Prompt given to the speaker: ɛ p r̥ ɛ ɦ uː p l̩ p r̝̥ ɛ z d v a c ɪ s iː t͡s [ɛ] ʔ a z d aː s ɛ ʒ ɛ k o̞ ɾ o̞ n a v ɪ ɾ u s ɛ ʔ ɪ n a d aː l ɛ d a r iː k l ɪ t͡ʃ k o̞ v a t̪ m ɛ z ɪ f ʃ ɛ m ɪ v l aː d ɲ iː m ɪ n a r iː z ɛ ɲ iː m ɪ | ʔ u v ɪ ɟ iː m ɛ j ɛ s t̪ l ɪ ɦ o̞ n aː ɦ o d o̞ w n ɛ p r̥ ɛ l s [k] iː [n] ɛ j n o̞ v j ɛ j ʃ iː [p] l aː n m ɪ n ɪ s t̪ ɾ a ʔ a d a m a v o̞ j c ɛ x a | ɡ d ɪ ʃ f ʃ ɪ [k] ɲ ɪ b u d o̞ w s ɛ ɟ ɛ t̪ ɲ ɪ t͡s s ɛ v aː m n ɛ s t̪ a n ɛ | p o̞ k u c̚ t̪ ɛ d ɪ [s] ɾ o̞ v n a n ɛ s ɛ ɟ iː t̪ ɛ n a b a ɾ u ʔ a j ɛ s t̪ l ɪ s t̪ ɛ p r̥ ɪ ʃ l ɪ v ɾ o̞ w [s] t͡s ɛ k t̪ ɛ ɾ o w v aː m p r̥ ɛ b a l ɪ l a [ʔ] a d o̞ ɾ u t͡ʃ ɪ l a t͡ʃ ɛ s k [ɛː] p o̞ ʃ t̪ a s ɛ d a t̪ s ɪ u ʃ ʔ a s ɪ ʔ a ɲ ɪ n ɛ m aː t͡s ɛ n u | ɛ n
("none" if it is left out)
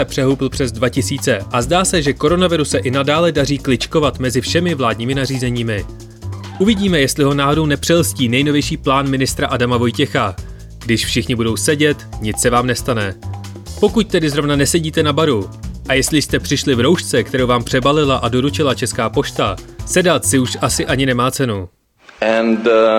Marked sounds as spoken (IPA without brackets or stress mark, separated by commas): ɛ, c, n, p, x, z, ʃ, ʔ, aː